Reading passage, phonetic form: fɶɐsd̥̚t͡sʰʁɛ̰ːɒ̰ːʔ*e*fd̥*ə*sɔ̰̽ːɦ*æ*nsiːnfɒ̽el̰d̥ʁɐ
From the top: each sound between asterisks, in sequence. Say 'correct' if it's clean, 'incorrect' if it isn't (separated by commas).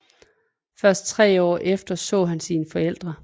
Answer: correct, incorrect, correct